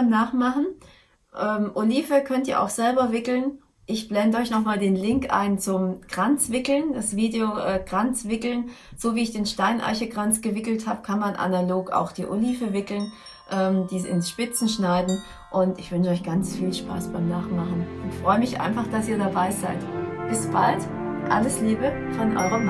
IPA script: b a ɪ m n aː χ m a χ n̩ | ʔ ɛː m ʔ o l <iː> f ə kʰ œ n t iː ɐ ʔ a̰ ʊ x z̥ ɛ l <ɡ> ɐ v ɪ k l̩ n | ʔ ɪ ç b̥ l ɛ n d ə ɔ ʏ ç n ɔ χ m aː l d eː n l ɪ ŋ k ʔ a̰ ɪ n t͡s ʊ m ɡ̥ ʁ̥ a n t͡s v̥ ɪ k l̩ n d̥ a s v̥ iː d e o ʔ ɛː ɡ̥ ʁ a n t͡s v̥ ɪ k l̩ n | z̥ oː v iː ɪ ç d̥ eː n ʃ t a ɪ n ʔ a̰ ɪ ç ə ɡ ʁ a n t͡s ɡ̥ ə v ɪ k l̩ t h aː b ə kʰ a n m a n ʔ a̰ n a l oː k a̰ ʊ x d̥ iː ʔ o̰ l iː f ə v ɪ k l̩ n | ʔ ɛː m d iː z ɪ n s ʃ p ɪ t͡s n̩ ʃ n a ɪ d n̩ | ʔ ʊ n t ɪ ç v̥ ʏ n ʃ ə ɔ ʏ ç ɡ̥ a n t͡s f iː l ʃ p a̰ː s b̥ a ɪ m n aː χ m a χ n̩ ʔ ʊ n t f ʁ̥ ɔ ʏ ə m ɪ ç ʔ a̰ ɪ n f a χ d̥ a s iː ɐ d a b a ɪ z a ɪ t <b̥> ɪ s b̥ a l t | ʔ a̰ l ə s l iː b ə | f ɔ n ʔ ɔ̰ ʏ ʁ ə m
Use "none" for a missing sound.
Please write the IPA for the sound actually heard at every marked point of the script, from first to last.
iː, b, b̥

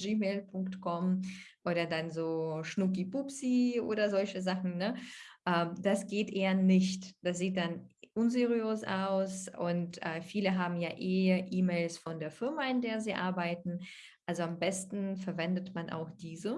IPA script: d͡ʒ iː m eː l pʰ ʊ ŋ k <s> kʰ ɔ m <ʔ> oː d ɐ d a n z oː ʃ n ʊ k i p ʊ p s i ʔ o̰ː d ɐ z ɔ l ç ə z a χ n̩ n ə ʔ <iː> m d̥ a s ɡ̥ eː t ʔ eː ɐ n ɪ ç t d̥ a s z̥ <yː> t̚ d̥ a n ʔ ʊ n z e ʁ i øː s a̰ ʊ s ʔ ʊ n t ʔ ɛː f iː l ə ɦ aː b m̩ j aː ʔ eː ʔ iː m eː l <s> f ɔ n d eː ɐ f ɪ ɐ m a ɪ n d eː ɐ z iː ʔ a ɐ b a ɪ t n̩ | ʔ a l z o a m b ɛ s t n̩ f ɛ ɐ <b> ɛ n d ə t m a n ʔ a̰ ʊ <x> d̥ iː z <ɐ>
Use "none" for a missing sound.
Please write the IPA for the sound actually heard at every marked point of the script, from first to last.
t, ʔ, ɛː, iː, s, v, x, ə

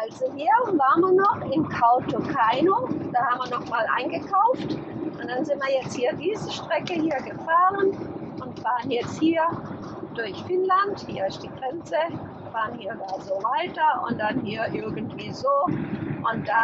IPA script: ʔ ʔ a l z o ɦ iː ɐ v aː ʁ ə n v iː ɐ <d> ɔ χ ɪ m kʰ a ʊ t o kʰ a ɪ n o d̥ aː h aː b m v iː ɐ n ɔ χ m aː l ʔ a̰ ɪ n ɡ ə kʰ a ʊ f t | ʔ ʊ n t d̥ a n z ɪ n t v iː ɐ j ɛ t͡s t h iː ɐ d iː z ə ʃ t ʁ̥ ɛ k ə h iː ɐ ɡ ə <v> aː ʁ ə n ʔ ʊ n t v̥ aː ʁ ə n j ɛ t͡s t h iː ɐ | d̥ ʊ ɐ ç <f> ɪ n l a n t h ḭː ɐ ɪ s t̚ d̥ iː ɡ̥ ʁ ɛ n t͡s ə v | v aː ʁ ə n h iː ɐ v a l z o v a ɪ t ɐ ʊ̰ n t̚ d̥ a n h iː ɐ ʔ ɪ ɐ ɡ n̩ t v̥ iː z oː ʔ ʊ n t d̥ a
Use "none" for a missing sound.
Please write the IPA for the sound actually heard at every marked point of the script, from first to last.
n, f, f

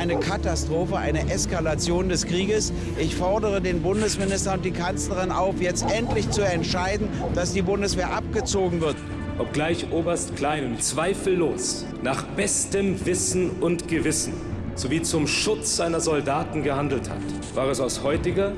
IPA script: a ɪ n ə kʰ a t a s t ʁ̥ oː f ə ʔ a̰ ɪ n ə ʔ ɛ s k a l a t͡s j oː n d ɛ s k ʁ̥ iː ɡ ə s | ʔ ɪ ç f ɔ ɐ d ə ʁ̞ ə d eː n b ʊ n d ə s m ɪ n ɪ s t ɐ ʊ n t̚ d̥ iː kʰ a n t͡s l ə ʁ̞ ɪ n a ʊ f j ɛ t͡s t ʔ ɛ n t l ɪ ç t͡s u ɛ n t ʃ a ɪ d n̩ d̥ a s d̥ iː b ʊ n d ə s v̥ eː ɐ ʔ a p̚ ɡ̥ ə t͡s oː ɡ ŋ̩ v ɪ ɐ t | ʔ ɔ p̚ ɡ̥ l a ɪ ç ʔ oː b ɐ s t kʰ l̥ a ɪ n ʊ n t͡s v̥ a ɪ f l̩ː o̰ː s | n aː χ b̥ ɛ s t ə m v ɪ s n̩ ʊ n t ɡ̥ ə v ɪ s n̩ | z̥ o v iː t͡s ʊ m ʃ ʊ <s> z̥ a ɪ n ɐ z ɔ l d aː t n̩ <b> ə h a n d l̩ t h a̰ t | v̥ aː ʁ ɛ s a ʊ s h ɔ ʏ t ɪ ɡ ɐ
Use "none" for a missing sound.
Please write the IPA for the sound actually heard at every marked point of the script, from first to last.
t͡s, ɡ

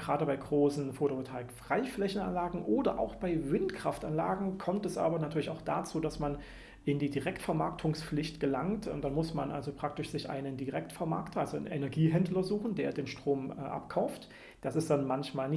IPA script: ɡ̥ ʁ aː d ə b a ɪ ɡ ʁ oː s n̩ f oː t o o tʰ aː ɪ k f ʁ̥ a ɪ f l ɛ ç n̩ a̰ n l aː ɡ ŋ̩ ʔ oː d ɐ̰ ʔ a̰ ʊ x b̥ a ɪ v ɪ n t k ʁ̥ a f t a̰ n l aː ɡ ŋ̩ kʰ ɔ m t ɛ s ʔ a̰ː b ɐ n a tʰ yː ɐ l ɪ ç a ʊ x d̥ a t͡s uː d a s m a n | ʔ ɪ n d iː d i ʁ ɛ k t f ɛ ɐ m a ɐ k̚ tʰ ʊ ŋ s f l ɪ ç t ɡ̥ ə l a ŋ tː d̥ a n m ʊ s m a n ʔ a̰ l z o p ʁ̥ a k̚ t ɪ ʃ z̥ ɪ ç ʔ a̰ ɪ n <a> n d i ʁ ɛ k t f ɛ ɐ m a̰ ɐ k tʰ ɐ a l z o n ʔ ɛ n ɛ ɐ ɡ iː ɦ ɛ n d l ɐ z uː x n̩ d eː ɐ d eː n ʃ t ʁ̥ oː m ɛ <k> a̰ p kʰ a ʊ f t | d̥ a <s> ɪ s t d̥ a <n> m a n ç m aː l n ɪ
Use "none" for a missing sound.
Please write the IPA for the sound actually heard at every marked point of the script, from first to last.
ə, ʔ, s, n

